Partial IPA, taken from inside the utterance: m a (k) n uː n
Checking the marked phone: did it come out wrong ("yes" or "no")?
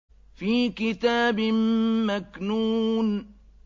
no